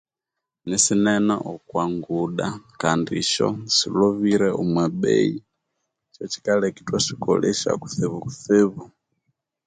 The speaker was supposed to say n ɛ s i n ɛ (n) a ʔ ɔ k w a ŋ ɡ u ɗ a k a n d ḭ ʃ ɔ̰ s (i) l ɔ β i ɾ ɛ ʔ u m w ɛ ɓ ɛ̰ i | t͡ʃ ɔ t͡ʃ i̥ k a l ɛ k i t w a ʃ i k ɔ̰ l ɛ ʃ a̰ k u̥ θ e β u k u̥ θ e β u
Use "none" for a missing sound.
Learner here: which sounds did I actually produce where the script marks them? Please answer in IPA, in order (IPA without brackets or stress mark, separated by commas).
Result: n, i